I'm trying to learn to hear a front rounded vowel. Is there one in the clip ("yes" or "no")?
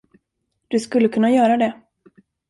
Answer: yes